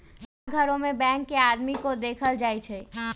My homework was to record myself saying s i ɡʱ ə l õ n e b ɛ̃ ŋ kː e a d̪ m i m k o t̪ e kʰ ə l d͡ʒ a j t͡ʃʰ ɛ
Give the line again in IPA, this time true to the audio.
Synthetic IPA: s a ɡʱ ə ɾ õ m e b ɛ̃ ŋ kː e a d̪ m i k o d̪ e kʰ ə l d͡ʒ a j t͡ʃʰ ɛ